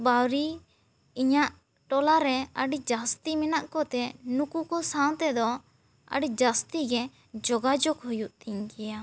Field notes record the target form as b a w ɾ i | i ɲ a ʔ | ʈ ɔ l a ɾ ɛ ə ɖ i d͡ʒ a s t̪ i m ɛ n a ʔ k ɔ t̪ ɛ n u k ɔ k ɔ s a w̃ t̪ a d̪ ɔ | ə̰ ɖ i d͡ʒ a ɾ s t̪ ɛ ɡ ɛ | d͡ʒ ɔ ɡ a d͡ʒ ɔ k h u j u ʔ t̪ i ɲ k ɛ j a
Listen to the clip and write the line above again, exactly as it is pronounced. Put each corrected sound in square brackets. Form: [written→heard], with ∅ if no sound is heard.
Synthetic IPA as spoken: b a w ɾ i | i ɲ a ʔ | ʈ ɔ l a ɾ ɛ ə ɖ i d͡ʒ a s t̪ i m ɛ n a ʔ k ɔ t̪ ɛ n u k [ɔ→u] k ɔ s a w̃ t̪ [a→ɛ] d̪ ɔ | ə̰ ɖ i d͡ʒ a [ɾ→∅] s t̪ [ɛ→i] ɡ ɛ | d͡ʒ ɔ ɡ a d͡ʒ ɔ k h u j u ʔ t̪ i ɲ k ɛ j a